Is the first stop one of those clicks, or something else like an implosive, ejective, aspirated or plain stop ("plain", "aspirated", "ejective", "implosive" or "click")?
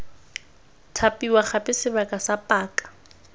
aspirated